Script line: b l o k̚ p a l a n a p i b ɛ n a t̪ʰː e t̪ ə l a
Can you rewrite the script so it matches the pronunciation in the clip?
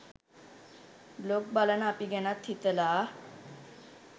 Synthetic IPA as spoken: b l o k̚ b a l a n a p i ɡ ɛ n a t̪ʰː i t̪ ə l a